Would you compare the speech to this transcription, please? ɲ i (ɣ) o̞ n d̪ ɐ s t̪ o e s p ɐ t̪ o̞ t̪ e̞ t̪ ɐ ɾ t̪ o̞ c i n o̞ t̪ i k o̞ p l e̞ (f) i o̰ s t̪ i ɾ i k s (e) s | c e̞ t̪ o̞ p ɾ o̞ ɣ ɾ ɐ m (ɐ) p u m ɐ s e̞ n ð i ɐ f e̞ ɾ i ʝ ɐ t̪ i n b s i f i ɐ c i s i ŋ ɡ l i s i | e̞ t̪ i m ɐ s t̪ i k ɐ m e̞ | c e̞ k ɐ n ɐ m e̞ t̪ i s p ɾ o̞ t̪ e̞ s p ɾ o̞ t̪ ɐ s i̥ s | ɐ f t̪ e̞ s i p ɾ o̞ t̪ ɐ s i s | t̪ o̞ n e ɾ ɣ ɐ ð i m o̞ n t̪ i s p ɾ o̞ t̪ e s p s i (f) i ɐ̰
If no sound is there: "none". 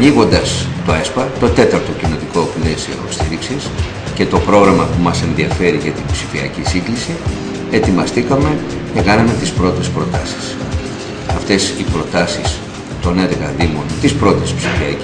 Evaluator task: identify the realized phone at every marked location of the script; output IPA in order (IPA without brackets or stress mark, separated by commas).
ɣ, s, i, ɐ, f